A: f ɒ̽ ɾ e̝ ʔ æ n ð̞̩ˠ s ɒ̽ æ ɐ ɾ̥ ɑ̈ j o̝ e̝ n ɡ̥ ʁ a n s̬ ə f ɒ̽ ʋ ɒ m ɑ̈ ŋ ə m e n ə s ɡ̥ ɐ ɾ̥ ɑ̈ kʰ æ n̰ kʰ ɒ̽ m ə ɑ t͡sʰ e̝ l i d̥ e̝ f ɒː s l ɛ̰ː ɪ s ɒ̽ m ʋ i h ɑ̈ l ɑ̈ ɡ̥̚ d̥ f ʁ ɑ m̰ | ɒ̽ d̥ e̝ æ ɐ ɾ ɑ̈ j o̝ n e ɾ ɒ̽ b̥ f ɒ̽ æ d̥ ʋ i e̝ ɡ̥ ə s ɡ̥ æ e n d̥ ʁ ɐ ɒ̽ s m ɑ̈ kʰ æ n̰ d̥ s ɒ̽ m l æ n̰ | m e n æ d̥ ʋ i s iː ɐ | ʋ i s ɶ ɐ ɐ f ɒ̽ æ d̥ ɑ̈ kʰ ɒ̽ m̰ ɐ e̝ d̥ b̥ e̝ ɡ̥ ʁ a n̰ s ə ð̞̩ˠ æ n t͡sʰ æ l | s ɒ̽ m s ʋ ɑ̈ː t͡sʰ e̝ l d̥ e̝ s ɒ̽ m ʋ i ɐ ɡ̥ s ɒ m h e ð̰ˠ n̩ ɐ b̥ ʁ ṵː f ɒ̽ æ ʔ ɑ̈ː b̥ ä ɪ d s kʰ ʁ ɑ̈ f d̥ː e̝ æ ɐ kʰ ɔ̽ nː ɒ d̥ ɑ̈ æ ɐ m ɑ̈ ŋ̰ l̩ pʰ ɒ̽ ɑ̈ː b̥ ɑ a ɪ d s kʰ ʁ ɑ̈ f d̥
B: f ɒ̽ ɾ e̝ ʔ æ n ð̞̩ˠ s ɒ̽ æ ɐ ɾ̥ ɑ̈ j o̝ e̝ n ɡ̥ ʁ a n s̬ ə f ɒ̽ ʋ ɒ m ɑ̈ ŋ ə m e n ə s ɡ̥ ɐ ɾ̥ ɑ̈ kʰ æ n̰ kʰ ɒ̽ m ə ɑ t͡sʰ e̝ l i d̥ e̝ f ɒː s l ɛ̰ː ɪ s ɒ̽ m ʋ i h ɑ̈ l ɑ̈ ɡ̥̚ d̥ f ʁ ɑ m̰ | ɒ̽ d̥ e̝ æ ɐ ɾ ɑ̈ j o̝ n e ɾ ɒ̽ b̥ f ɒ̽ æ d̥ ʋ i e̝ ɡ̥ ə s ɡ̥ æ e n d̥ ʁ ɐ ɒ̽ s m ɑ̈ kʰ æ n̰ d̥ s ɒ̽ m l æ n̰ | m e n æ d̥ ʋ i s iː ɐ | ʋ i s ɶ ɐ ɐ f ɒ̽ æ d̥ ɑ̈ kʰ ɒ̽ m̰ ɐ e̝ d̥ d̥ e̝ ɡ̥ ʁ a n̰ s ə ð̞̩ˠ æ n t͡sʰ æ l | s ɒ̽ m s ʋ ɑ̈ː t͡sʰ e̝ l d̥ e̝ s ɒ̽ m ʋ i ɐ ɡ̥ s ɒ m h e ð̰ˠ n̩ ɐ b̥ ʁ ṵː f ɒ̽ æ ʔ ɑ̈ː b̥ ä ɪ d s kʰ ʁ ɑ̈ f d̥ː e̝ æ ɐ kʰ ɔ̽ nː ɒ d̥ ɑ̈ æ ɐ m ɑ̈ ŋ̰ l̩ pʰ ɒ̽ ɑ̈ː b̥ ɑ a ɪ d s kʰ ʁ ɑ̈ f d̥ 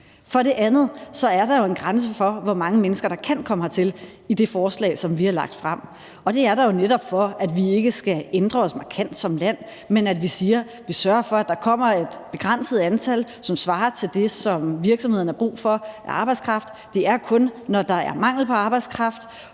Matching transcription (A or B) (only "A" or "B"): A